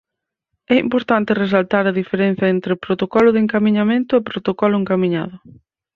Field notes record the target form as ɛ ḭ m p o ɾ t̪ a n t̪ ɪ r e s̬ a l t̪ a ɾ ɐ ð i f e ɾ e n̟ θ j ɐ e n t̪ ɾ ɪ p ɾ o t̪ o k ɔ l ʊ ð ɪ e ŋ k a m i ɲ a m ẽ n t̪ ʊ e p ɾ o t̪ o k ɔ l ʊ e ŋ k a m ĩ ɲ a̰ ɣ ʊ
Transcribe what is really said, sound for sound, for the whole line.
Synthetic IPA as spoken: ɛ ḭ m p o ɾ t̪ a n t̪ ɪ r e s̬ a l t̪ a ɾ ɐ ð i f e ɾ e n̟ θ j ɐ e n t̪ ɾ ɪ p ɾ o t̪ o k ɔ l ʊ ð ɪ e ŋ k a m i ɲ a m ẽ n t̪ ʊ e p ɾ o t̪ o k ɔ l ʊ e ŋ k a m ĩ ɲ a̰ ð ʊ